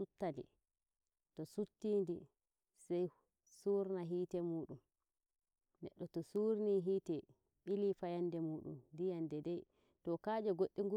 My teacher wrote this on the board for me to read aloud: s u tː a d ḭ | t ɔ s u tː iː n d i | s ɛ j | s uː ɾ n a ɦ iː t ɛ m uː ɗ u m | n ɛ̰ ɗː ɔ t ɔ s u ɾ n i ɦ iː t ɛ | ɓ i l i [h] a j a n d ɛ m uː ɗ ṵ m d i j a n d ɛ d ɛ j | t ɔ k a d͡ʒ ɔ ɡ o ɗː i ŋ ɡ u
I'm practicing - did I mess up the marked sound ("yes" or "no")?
yes